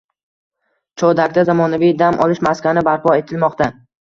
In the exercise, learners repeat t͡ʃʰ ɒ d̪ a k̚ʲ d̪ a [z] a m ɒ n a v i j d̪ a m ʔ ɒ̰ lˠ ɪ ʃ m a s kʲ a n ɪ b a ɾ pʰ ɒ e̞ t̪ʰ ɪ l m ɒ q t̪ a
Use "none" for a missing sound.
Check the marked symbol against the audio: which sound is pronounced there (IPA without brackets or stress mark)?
z